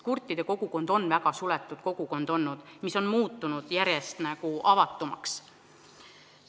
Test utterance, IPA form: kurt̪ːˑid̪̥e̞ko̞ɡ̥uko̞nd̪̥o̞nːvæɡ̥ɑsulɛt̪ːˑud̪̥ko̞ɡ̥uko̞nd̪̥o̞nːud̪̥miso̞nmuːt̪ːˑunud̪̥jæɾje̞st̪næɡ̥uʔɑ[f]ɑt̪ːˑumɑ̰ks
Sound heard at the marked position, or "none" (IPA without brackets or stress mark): v